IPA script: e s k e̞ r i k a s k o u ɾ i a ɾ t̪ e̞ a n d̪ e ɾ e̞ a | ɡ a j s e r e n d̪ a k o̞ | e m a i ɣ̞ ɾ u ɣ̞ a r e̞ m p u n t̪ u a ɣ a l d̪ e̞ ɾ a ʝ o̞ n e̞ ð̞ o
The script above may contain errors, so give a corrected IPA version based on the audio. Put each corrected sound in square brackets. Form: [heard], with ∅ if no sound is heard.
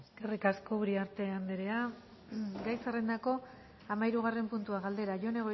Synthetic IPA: e s k e̞ r i k a s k o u ɾ i a ɾ t̪ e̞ a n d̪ e ɾ e̞ a | ɡ a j s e r e n d̪ a k o̞ | [a] m a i [∅] ɾ u ɣ̞ a r e̞ m p u n t̪ u a ɣ a l d̪ e̞ ɾ a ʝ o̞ n e̞ [ɣ̞] o